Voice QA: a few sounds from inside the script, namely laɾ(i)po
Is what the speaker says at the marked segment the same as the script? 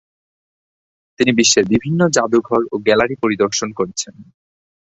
yes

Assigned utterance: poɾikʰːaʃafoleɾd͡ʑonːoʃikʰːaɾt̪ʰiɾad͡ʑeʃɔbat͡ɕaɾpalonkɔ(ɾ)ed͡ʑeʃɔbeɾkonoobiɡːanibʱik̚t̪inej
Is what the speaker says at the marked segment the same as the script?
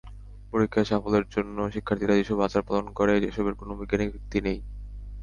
yes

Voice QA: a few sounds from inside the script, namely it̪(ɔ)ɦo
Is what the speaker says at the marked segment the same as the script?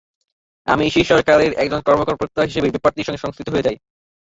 no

